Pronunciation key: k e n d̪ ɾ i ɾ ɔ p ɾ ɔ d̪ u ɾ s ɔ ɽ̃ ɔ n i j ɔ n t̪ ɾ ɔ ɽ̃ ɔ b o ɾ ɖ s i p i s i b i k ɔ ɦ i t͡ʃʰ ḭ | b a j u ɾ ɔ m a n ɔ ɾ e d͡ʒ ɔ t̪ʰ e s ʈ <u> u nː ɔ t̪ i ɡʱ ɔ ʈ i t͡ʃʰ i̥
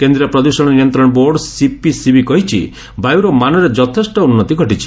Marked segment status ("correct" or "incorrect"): incorrect